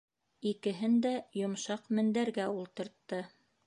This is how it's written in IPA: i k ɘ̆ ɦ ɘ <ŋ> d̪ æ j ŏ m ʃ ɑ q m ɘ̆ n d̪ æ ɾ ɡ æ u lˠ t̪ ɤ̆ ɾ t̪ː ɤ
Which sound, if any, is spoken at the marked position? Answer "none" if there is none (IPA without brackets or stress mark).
n